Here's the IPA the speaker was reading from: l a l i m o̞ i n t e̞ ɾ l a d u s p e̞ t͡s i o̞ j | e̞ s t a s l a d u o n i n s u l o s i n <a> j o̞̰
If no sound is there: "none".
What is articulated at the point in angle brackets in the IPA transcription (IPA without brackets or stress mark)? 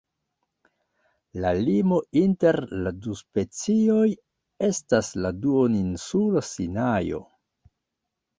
a